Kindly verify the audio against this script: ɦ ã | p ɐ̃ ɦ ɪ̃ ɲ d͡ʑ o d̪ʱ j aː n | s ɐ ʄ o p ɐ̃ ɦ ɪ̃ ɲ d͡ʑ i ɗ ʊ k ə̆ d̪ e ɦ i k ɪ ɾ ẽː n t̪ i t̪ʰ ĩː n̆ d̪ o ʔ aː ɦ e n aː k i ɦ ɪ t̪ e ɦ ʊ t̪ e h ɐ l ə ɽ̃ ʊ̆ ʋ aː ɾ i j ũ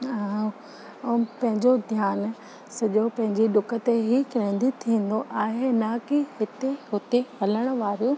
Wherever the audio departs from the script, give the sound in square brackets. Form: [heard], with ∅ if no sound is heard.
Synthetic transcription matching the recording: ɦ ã | p ɐ̃ ɦ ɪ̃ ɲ d͡ʑ o d̪ʱ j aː n | s ɐ ʄ o p ɐ̃ ɦ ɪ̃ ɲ d͡ʑ i ɗ ʊ k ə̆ [t̪] e ɦ i k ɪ ɾ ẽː n [d̪] i t̪ʰ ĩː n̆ d̪ o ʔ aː ɦ e n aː k i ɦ ɪ t̪ e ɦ ʊ t̪ e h ɐ l ə ɽ̃ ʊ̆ ʋ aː ɾ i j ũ